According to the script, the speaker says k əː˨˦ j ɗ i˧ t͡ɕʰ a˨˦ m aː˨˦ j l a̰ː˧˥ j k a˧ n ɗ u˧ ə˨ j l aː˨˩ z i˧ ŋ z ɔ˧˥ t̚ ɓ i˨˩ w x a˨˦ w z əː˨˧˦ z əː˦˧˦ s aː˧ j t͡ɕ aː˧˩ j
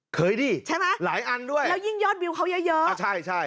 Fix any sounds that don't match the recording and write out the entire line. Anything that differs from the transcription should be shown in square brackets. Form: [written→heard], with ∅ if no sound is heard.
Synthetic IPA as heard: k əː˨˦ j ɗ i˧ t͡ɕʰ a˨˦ m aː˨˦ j l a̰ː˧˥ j [k→ʔ] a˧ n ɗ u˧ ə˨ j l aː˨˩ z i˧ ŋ z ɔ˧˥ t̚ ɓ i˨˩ w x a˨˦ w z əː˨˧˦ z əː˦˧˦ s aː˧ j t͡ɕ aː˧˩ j